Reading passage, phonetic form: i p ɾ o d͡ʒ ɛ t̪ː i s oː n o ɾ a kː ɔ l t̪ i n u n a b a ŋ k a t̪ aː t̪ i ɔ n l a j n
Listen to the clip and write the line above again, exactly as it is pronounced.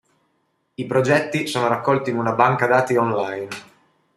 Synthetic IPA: i p ɾ o d͡ʒ ɛ t̪ː i s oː n o ɾ a kː ɔ l t̪ i n u n a b a ŋ k a d̪ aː t̪ i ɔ n l a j n